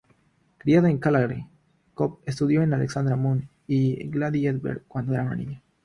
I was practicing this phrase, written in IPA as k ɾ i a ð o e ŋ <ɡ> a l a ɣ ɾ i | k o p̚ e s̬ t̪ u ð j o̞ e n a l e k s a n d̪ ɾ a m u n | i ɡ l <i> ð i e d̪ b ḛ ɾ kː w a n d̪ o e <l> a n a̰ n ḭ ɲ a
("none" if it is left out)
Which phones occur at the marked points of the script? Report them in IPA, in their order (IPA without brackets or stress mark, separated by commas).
k, a, ɾ